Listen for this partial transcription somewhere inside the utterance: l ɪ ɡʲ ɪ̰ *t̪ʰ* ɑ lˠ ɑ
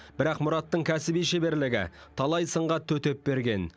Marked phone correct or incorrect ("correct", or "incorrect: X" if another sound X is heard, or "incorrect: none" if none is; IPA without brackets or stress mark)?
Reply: correct